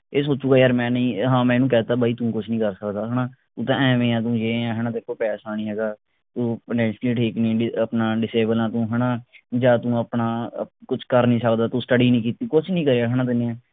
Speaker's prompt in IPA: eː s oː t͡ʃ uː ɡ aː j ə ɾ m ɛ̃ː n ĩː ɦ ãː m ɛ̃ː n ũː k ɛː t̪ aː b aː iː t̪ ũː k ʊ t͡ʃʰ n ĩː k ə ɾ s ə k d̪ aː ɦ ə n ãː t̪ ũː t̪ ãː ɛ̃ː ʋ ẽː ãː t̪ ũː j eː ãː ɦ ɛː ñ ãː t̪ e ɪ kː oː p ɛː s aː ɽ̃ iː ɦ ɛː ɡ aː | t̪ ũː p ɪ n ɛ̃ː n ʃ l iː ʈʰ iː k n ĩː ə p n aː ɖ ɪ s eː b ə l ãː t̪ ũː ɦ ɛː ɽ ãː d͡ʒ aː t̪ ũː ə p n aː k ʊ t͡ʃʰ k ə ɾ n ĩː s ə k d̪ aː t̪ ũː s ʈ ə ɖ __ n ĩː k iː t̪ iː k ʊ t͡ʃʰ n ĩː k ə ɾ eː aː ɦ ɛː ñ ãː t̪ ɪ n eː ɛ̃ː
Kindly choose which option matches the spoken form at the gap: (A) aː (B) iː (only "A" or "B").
B